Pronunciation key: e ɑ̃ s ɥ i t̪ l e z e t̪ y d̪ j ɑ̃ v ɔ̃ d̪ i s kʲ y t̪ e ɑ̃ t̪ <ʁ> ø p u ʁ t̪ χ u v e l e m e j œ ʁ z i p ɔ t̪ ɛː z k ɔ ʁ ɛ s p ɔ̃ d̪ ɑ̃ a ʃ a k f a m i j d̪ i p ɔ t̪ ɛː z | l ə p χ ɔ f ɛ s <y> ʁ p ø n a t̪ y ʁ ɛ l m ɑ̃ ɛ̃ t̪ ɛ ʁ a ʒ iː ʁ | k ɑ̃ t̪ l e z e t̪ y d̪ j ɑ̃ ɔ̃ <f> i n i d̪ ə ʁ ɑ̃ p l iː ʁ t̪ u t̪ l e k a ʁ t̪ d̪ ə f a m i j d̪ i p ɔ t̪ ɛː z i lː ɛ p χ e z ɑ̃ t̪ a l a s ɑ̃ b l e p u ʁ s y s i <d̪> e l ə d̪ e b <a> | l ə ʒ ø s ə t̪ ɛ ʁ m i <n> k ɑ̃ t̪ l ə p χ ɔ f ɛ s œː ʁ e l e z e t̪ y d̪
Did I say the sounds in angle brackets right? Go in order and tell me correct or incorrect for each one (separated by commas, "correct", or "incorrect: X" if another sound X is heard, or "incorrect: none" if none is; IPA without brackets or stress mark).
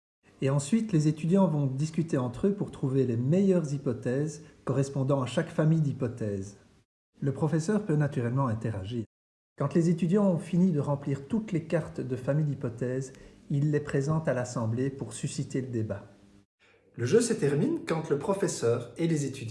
incorrect: χ, incorrect: œ, correct, incorrect: t̪, correct, correct